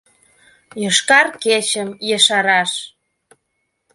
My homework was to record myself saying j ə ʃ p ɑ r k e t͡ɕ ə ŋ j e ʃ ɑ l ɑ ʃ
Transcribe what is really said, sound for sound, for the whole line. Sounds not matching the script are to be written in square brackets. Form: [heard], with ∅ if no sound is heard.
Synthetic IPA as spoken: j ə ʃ [k] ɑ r k e t͡ɕ ə [m] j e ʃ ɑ [ɾ] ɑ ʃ